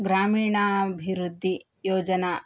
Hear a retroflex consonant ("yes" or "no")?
yes